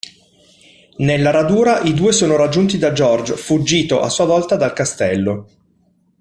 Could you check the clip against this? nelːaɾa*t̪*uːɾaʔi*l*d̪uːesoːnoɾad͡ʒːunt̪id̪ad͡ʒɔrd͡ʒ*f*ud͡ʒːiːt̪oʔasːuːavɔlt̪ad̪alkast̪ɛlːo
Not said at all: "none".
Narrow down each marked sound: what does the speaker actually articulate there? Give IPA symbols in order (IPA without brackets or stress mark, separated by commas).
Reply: d̪, none, f